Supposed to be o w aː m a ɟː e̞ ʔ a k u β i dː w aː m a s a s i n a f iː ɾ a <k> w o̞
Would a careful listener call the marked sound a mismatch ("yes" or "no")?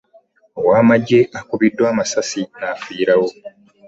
yes